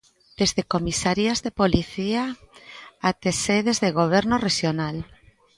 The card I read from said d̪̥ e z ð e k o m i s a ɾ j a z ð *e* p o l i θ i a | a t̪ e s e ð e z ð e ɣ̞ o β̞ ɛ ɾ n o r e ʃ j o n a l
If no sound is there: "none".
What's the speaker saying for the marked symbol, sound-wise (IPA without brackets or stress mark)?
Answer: e